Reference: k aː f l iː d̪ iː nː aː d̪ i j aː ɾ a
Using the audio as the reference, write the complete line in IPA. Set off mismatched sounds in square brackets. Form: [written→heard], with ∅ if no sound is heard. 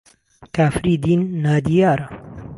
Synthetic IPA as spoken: k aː f [l→ɾ] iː d̪ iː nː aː d̪ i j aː ɾ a